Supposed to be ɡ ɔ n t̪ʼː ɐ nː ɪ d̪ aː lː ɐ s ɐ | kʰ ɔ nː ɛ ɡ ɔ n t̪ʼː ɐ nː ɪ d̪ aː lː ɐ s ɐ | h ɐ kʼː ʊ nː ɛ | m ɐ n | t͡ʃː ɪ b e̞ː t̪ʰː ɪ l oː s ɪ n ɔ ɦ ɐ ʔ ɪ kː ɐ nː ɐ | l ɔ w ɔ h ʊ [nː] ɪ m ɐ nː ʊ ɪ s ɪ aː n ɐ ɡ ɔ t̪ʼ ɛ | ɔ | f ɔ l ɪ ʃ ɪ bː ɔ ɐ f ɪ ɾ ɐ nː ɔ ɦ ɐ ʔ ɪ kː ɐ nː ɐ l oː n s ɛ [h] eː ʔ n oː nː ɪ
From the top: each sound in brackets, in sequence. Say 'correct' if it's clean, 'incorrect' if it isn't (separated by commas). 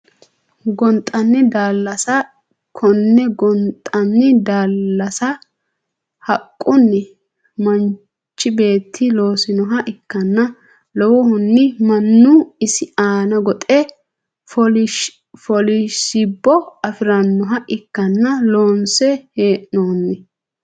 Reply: correct, correct